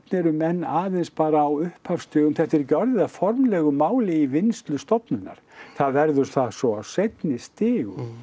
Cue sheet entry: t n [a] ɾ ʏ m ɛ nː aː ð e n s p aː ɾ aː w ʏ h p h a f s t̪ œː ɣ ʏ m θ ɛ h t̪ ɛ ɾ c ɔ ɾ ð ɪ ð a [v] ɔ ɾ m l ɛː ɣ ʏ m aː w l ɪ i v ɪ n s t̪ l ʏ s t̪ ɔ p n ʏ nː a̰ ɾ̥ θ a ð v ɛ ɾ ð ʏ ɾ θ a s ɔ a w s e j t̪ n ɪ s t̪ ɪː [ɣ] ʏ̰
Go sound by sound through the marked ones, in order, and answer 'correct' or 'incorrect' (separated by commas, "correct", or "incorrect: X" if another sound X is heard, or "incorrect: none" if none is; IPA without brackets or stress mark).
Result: incorrect: ɛ, incorrect: f, correct